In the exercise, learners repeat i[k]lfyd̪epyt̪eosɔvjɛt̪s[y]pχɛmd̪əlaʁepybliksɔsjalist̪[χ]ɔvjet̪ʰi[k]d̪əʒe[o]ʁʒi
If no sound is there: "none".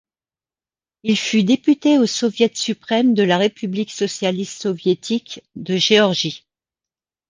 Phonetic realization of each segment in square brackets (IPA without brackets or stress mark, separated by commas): none, y, s, k, ɔ